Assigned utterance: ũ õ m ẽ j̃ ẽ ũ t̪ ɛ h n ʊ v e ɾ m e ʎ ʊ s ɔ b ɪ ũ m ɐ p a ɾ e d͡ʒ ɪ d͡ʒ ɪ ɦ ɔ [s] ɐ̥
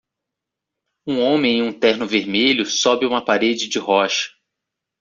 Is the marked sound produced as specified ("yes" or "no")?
no